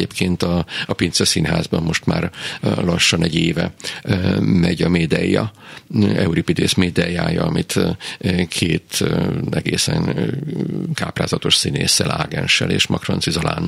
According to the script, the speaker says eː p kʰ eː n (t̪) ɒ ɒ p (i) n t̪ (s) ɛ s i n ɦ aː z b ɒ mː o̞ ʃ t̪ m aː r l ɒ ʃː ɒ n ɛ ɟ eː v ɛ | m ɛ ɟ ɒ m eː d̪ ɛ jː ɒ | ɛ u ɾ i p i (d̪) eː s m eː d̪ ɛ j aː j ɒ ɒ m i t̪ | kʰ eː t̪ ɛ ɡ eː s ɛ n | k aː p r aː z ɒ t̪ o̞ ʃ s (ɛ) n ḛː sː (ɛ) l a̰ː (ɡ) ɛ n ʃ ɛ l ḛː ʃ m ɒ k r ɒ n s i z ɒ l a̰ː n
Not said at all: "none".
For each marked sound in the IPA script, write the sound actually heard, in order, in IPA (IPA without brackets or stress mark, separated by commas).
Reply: t̪, i, s, d̪, i, ɛ, ɡ